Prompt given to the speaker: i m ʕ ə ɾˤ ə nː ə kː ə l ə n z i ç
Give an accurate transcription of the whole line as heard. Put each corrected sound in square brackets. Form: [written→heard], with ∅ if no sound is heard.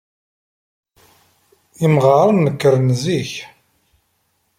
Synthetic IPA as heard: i m [ʕ→ʁ] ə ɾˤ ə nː ə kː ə [l→ɾ] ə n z i ç